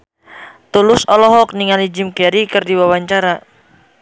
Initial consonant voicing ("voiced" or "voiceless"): voiceless